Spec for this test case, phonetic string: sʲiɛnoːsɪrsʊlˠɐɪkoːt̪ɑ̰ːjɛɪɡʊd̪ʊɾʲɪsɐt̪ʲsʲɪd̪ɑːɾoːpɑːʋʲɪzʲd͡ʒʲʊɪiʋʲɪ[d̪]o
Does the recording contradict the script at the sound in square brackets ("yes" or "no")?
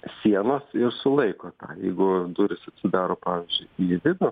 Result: no